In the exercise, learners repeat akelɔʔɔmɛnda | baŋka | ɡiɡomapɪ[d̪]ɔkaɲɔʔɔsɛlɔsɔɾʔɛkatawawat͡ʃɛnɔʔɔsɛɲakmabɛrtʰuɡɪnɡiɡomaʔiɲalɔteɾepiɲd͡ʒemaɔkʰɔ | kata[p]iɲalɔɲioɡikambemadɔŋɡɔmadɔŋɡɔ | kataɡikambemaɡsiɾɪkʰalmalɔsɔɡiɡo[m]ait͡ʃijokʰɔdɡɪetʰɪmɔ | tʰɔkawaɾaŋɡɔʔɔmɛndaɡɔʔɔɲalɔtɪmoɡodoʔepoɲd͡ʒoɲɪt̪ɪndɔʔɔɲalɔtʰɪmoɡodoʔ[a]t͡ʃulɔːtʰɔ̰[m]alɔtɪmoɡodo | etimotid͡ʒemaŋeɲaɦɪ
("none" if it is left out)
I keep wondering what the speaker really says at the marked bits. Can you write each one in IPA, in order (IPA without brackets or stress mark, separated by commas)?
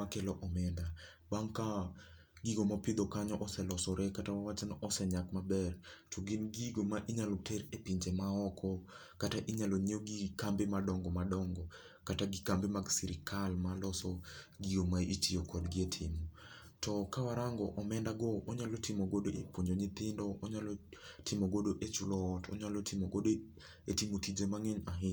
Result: d̪, ʔ, m, e, ɲ